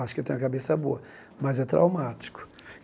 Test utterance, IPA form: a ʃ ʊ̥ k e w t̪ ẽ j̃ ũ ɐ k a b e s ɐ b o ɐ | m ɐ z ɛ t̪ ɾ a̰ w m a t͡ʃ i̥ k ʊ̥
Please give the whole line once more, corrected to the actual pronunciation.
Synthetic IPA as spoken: a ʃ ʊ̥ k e w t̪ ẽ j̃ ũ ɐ k a b e s ɐ b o ɐ | m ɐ z ɛ t̪ ɾ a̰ w m a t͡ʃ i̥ k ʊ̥